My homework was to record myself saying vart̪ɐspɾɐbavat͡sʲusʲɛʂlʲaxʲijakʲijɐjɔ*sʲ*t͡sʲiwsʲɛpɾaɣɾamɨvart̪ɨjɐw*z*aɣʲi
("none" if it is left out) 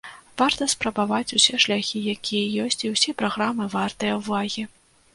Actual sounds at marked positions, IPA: sʲ, v

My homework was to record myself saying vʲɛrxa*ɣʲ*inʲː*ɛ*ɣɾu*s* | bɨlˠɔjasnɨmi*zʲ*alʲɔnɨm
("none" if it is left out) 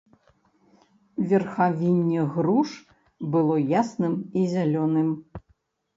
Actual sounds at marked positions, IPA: vʲ, ɛ, ʂ, zʲ

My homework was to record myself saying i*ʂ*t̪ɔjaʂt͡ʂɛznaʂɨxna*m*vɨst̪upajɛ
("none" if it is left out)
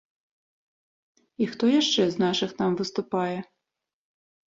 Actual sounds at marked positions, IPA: x, m

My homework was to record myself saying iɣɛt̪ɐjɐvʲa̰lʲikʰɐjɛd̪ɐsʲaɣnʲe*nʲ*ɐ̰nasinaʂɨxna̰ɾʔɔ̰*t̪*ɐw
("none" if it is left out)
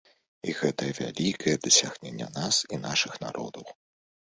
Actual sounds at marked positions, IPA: nʲː, d̪

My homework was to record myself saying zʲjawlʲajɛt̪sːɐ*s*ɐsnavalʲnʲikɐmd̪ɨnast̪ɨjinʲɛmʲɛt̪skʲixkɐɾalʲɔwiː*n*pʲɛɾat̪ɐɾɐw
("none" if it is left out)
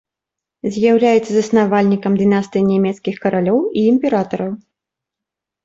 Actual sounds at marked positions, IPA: z, m

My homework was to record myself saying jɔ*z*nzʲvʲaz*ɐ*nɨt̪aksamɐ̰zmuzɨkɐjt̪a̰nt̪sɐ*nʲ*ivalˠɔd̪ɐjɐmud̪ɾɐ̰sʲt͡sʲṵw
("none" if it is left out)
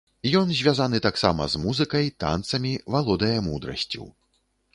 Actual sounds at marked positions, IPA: none, a, mʲ

